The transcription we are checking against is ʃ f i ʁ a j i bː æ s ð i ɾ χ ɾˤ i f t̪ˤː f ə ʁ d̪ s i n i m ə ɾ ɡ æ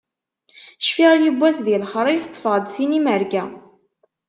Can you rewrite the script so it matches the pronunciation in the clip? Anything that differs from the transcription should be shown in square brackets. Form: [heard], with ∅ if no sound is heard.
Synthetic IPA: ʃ f i ʁ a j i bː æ s ð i [l] χ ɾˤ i f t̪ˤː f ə ʁ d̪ s i n i m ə ɾ ɡ æ